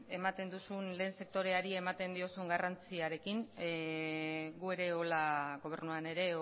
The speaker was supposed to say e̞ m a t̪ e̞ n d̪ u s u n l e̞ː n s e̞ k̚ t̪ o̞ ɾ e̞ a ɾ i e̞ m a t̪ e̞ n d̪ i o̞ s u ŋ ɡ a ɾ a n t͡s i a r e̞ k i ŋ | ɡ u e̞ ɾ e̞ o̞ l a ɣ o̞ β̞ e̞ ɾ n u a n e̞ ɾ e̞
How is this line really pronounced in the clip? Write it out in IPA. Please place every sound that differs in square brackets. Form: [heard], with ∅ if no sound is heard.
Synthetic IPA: e̞ m a t̪ e̞ n d̪ u s u n l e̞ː n s e̞ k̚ t̪ o̞ ɾ e̞ a ɾ i e̞ m a t̪ e̞ n d̪ i o̞ s u ŋ ɡ a [r] a n t͡s i a [ɾ] e̞ k i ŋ | ɡ u e̞ ɾ e̞ o̞ l a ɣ o̞ β̞ e̞ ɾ n u a n e̞ ɾ e̞